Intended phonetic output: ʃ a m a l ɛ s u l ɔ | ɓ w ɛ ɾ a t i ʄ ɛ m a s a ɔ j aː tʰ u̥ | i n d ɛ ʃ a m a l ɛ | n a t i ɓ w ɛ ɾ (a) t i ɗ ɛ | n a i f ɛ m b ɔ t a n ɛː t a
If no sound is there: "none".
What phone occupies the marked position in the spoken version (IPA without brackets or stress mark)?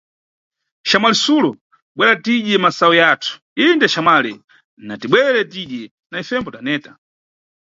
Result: ɛ